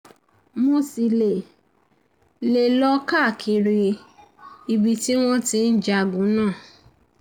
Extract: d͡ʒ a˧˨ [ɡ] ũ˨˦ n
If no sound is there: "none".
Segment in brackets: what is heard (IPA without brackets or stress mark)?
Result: ɡ